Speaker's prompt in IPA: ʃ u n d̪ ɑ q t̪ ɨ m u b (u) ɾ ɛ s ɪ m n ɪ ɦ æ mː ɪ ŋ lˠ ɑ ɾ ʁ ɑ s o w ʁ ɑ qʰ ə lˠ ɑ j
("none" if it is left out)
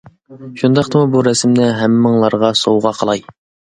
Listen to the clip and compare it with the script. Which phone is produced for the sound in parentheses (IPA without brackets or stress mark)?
u